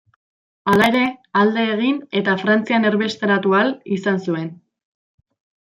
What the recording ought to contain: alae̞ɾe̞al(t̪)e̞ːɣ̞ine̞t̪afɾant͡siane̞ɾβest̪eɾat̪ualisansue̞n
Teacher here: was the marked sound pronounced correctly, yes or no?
no